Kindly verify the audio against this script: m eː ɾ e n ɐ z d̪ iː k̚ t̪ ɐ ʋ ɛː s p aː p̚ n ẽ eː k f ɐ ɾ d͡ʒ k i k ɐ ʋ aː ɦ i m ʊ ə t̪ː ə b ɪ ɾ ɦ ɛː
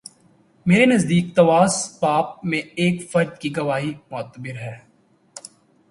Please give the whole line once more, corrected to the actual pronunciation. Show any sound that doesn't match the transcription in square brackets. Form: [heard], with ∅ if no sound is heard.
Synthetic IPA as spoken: m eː ɾ e n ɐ z d̪ iː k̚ t̪ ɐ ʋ [aː] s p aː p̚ [m] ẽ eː k f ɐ ɾ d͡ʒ k i [ɡ] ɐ ʋ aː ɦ i m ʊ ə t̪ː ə b ɪ ɾ ɦ ɛː